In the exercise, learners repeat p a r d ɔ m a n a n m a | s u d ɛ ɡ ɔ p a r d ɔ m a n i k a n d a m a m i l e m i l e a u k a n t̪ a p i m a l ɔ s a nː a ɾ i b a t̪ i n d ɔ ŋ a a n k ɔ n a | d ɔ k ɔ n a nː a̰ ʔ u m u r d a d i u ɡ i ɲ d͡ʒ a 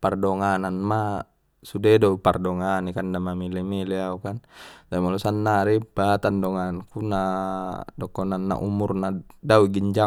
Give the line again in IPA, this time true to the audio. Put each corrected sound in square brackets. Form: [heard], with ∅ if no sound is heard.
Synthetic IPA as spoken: p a r d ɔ [ŋ] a n a n m a | s u d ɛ [d] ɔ p a r d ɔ [ŋ] a n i k a n d a m a m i l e m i l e a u k a n t̪ a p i m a l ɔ s a nː a ɾ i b a t̪ [a] n d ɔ ŋ a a n k [u] n a | d ɔ k ɔ n a nː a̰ ʔ u m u r [n] a d [a] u ɡ i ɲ d͡ʒ a

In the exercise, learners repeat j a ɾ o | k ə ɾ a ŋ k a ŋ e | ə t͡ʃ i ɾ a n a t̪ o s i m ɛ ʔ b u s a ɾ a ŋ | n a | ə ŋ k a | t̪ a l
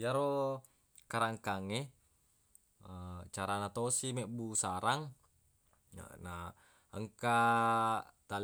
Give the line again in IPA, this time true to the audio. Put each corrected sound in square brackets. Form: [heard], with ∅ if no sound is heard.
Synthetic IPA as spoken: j a ɾ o | k [a] ɾ a ŋ k a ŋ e | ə t͡ʃ [a] ɾ a n a t̪ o s i m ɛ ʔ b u s a ɾ a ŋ | n a | ə ŋ k a | t̪ a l

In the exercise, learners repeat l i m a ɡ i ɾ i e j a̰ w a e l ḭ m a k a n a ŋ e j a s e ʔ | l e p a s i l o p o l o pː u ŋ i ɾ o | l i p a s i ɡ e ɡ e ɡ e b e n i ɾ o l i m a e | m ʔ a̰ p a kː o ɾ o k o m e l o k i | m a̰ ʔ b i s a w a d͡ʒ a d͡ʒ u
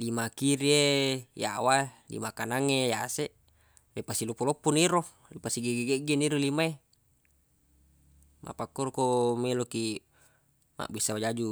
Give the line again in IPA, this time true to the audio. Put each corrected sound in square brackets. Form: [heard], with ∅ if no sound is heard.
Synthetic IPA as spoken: l i m a [k] i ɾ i e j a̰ w a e l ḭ m a k a n a ŋ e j a s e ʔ | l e p a s i l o p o l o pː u [n] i ɾ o | l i p a s i ɡ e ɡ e ɡ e [ɡ] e n i ɾ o l i m a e | m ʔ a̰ p a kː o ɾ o k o m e l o k i | m a̰ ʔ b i s a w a d͡ʒ a d͡ʒ u

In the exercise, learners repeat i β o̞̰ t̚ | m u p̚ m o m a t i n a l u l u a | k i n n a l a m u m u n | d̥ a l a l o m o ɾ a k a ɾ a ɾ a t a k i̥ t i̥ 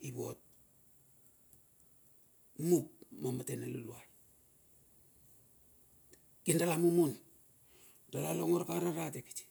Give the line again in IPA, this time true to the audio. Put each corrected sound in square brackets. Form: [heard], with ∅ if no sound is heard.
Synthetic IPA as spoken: i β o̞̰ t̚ | m u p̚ m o m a t [e] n a l u l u a | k i n [d] a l a m u m u n | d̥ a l a l o [ŋ] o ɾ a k a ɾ a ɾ a t [e] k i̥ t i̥

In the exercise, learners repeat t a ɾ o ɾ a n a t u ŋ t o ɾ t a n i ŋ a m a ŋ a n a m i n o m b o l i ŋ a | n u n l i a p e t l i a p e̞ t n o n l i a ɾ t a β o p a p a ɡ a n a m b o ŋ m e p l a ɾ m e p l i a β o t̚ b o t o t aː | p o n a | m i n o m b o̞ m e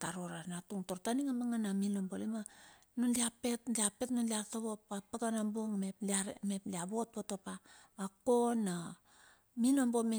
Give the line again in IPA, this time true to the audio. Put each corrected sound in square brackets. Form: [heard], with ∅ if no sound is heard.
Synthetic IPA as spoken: t a ɾ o ɾ a n a t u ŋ t o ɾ t a n i ŋ a m a ŋ a n a m i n o m b o l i [m] a | n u n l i a p e t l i a p e̞ t n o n l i a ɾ t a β o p a p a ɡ a n a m b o ŋ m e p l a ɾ m e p l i a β o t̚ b o t o [p] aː | [k] o n a | m i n o m b o̞ m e

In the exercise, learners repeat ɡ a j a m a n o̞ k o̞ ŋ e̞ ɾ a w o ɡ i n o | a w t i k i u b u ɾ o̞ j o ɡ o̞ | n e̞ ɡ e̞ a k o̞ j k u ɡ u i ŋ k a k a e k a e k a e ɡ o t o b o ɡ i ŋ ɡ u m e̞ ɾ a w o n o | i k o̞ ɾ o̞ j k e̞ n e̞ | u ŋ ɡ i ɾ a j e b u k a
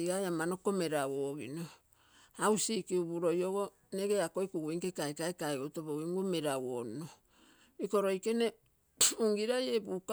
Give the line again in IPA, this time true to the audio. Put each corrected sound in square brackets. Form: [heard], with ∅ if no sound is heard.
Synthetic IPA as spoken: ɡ a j a m a n o̞ k o̞ [m] e̞ ɾ a w o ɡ i n o | a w [s] i k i u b u ɾ o̞ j o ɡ o̞ | n e̞ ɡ e̞ a k o̞ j k u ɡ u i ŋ k [e] k a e k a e k a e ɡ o t o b o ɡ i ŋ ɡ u m e̞ ɾ a w o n o | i k o̞ ɾ o̞ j k e̞ n e̞ | u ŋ ɡ i ɾ a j e b u k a

